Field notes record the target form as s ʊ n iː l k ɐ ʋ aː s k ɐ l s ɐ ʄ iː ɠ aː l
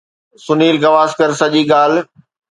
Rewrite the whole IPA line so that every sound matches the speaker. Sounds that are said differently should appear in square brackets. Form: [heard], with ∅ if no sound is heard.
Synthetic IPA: s ʊ n iː l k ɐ ʋ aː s k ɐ [ɾ] s ɐ ʄ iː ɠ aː l

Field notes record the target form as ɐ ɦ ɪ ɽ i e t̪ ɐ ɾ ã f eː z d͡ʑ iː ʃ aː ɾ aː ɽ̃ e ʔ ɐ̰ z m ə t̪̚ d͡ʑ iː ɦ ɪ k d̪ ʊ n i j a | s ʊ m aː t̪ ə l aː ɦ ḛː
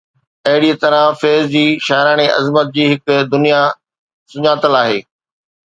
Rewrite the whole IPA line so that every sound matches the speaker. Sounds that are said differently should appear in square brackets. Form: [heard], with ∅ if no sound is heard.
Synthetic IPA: ɐ ɦ ɪ ɽ i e t̪ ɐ ɾ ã f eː z d͡ʑ iː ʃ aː ɾ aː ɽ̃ e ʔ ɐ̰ z m ə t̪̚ d͡ʑ iː ɦ ɪ k d̪ ʊ n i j a | s ʊ [ɲ] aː t̪ ə l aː ɦ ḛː

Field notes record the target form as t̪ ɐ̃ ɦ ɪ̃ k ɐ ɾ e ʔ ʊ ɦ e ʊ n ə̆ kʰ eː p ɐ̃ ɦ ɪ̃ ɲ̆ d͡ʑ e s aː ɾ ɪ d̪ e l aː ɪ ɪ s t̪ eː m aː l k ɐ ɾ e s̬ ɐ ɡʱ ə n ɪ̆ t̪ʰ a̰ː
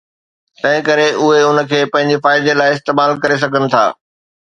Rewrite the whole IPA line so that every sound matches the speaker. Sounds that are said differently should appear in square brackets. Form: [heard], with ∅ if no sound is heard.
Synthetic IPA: t̪ ɐ̃ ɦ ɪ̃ k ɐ ɾ e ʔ ʊ ɦ e ʊ n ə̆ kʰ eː p ɐ̃ ɦ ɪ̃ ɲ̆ d͡ʑ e [f] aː [∅] ɪ d̪ e l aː ɪ ɪ s t̪ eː m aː l k ɐ ɾ e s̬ ɐ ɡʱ ə n ɪ̆ t̪ʰ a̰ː

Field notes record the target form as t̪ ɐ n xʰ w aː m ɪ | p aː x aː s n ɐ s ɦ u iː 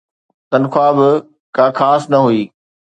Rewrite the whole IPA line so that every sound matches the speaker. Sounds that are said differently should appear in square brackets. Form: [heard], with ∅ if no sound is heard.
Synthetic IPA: t̪ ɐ n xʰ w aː [b] ɪ | [k] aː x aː s n ɐ [∅] ɦ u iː

